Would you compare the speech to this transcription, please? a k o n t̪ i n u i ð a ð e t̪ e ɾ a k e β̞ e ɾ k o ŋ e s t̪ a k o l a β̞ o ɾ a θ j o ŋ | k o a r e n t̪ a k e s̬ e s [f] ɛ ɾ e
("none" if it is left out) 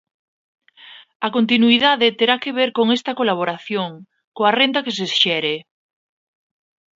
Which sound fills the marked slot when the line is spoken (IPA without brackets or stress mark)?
ʃ